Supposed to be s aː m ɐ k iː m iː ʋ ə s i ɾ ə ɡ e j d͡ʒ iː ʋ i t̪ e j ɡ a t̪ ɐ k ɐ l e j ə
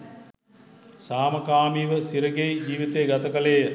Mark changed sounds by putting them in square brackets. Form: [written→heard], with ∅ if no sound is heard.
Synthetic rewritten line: s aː m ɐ k [iː→aː] m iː ʋ ə s i ɾ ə ɡ e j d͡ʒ iː ʋ i t̪ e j ɡ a t̪ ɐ k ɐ l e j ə

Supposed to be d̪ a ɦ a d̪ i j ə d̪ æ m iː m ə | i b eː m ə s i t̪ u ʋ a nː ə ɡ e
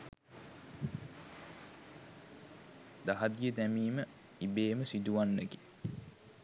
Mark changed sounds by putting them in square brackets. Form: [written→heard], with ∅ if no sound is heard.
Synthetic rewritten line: d̪ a ɦ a d̪ i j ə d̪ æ m iː m ə | i b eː m ə s i [t̪→d̪] u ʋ a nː ə ɡ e

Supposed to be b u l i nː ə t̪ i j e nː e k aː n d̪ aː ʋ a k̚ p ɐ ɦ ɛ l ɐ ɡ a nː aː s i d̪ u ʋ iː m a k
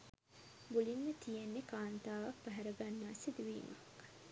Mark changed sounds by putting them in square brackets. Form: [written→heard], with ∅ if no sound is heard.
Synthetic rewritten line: b u l i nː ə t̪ i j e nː e k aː n [d̪→t̪] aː ʋ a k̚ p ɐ ɦ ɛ [l→ɾ] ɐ ɡ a nː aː s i d̪ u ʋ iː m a k

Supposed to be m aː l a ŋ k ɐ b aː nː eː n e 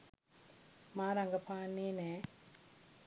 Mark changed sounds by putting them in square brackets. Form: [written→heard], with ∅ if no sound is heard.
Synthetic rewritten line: m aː [l→ɾ] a ŋ [k→ɡ] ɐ [b→p] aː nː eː n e

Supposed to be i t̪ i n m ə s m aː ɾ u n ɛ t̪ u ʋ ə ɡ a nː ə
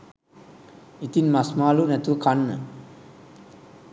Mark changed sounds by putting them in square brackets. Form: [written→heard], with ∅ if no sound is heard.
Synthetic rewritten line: i t̪ i n m [ə→a] s m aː [ɾ→l] u n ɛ t̪ u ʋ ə [ɡ→k] a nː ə

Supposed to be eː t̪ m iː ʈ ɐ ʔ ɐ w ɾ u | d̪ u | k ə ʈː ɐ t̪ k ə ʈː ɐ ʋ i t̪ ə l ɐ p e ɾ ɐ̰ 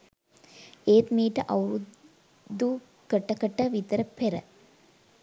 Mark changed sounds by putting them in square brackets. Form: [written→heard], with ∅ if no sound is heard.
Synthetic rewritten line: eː t̪ m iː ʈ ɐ ʔ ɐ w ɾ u | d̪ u | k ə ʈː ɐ [t̪→∅] k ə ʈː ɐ ʋ i t̪ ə [l→ɾ] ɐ p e ɾ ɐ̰

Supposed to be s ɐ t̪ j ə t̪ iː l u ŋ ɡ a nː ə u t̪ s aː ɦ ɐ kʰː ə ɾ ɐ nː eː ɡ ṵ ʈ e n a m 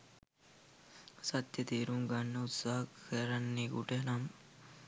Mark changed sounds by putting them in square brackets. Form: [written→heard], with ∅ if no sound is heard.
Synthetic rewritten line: s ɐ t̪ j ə t̪ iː [l→ɾ] u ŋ ɡ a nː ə u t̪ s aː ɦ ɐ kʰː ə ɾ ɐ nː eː ɡ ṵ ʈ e n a m

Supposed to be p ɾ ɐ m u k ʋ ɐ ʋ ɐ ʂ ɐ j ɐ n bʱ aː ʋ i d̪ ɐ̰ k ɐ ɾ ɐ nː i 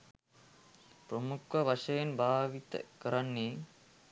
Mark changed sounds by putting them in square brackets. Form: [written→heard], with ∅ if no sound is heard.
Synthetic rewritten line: p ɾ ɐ m u k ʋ ɐ ʋ ɐ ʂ ɐ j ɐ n bʱ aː ʋ i [d̪→t̪] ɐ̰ k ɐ ɾ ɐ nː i

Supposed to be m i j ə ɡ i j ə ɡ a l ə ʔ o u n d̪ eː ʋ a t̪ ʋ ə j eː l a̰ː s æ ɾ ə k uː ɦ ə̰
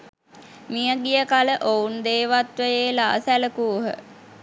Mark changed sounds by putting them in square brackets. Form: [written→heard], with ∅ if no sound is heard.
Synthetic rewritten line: m i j ə ɡ i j ə [ɡ→k] a l ə ʔ o u n d̪ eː ʋ a t̪ ʋ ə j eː l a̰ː s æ [ɾ→l] ə k uː ɦ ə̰

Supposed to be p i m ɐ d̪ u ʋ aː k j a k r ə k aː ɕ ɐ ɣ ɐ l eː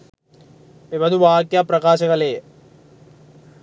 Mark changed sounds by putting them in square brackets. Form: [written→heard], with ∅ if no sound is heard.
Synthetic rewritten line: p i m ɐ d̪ u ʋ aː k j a [k→p] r [ə→ɐ] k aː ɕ ɐ ɣ ɐ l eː

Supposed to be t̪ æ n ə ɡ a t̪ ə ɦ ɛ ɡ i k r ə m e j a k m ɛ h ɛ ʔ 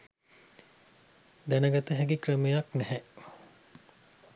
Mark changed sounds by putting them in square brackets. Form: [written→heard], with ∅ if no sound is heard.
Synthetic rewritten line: [t̪→d̪] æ n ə ɡ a t̪ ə ɦ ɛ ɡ i k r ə m e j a k [m→n] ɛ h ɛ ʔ

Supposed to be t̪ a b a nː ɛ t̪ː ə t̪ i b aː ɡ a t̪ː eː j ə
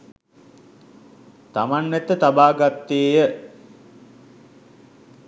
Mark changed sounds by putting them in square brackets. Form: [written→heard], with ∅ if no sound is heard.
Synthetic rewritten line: t̪ a [b→m] a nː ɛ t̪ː ə t̪ [i→a] b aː ɡ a t̪ː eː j ə

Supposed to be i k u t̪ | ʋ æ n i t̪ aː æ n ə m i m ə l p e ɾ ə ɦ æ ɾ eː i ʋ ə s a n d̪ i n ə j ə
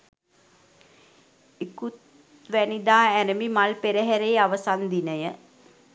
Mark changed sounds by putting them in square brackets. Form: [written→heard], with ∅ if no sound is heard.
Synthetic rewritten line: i k u t̪ | ʋ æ n i [t̪→d̪] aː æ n ə m i m [ə→a] l p e ɾ ə ɦ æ ɾ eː [i→a] ʋ ə s a n d̪ i n ə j ə

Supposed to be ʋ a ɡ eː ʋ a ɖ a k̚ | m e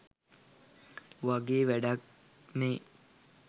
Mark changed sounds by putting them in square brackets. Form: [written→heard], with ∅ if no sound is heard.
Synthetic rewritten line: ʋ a ɡ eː ʋ [a→æ] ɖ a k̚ | m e

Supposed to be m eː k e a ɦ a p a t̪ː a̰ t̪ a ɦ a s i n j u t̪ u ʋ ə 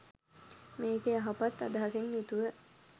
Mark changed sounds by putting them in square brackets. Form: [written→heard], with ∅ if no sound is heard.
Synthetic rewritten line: m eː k e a ɦ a p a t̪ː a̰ [t̪→d̪] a ɦ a s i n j u t̪ u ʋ ə

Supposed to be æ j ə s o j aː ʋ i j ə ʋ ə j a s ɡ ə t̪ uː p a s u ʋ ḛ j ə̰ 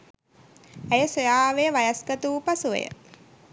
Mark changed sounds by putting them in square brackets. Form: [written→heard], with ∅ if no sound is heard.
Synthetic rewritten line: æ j ə s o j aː ʋ [i→e] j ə ʋ [ə→a] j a s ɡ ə t̪ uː p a s u ʋ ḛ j ə̰

